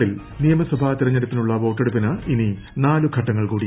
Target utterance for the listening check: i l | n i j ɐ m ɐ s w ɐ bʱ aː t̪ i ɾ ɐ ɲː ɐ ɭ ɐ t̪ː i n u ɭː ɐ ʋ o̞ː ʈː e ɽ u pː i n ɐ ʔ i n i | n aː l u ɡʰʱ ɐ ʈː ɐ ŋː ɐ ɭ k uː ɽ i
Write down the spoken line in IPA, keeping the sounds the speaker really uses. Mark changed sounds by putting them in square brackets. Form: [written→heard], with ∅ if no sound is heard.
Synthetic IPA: i l | n i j ɐ m ɐ s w ɐ bʱ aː t̪ i ɾ ɐ ɲː ɐ [ɭ→ɾ] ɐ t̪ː i n u ɭː ɐ ʋ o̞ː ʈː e ɽ u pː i n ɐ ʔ i n i | n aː l u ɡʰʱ ɐ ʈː ɐ ŋː ɐ ɭ k uː ɽ i